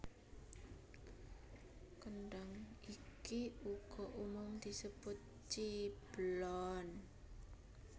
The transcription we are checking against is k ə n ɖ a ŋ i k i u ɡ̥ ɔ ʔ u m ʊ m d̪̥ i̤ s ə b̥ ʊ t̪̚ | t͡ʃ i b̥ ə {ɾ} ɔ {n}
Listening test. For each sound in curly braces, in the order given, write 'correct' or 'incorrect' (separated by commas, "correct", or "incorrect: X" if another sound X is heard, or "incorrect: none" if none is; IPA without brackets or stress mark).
incorrect: l, correct